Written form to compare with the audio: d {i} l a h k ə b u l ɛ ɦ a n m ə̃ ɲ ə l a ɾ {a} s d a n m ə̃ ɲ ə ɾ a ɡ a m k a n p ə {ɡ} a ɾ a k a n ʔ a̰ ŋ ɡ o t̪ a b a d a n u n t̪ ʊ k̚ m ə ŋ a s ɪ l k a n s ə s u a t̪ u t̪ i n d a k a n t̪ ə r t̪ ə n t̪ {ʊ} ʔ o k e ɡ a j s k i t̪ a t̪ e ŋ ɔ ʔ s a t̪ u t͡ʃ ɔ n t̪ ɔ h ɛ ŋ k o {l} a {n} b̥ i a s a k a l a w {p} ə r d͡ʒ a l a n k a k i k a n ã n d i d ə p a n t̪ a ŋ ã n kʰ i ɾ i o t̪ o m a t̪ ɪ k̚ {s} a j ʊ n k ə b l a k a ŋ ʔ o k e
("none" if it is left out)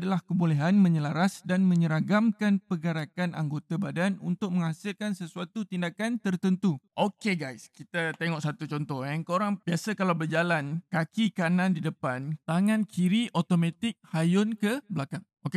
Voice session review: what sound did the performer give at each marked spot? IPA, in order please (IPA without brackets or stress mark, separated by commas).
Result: a, a, ɡ, u, ɾ, ŋ, b, h